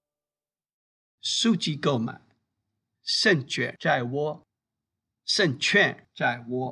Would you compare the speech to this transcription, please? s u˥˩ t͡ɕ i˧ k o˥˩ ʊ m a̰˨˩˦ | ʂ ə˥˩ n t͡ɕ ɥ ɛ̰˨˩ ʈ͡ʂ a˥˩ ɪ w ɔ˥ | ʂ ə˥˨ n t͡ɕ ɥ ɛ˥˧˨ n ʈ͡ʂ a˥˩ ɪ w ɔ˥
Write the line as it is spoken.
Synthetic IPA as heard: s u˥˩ t͡ɕ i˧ k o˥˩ ʊ m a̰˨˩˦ | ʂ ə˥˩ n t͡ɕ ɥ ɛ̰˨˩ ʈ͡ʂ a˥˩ ɪ w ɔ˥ | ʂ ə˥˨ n t͡ɕʰ ɥ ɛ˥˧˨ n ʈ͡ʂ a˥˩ ɪ w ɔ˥